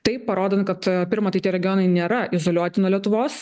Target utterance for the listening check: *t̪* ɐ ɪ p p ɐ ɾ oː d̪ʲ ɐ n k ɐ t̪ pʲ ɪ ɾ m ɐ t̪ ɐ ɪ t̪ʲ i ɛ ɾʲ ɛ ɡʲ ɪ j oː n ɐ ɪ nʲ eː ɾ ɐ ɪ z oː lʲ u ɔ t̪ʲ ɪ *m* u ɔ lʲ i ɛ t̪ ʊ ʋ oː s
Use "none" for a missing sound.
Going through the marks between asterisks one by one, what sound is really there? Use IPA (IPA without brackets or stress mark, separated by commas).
t̪, n